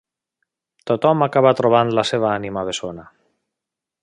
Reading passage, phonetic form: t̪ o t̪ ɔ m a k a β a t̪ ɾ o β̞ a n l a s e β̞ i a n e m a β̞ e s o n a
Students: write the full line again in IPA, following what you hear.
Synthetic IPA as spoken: t̪ o t̪ ɔ m a k a β a t̪ ɾ o β̞ a n l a s e β̞ a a n i m a β̞ e s o n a